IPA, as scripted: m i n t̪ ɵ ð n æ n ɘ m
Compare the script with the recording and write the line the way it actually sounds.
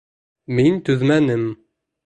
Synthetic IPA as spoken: m i n t̪ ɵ ð m æ n ɘ m